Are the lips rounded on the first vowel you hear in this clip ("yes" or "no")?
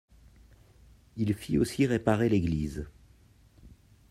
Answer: no